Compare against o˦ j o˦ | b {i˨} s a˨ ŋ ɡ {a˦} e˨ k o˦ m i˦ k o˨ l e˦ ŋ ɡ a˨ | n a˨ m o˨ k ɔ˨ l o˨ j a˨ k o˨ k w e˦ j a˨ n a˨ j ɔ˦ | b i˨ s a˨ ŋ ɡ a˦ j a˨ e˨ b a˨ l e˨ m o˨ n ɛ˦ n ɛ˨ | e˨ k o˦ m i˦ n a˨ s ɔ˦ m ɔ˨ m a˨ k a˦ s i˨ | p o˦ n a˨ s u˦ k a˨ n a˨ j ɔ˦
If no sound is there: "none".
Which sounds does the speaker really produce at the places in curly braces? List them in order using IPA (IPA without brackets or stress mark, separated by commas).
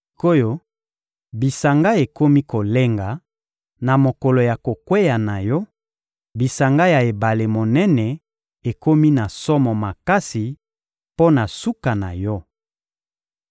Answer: i˨, a˦